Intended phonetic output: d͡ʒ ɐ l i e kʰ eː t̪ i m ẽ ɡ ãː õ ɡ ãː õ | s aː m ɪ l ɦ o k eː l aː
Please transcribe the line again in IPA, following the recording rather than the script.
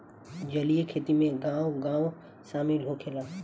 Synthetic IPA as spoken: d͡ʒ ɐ l i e kʰ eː t̪ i m ẽ ɡ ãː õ ɡ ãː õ | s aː m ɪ l ɦ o kʰ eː l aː